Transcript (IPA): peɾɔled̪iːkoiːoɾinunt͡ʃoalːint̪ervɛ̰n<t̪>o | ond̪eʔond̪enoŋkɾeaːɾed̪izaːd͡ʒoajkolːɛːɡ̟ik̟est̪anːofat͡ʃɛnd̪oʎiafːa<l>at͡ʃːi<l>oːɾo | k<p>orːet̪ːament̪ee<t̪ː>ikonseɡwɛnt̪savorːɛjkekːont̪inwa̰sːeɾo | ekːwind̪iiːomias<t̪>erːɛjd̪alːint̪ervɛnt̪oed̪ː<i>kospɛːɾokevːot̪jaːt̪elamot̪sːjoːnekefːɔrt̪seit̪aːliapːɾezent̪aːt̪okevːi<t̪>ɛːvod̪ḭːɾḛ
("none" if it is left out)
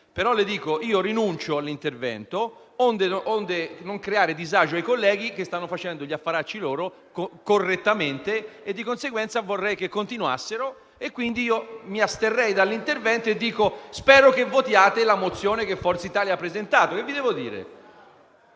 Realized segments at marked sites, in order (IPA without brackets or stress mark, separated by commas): t̪, ɾ, l, k, d̪ː, t̪, iː, d̪